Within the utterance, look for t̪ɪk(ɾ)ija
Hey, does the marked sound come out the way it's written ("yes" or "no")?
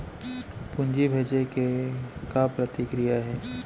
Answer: yes